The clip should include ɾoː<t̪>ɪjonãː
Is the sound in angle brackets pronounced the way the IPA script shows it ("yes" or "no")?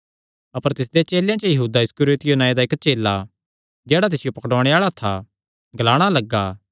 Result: yes